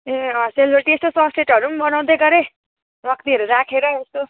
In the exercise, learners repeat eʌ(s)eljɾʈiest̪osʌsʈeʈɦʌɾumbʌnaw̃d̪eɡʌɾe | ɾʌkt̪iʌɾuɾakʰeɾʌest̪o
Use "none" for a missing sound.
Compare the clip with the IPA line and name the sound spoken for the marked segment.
s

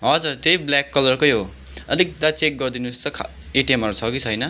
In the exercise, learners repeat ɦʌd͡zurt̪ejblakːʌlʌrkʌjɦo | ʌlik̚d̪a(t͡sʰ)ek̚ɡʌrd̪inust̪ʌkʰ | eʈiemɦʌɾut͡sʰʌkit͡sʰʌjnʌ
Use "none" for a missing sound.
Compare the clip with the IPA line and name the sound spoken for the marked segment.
t͡s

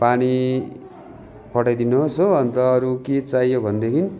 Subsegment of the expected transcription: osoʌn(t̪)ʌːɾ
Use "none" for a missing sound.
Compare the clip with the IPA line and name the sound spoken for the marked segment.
t̪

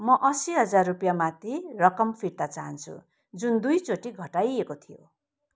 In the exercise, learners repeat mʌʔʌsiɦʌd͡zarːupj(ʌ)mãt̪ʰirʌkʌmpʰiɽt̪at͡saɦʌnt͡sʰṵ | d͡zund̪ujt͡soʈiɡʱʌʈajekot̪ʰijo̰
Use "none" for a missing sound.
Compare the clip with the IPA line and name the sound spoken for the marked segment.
a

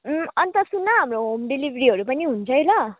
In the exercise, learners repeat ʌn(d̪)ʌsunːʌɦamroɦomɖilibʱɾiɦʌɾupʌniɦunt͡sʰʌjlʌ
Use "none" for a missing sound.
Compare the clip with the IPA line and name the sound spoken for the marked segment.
t̪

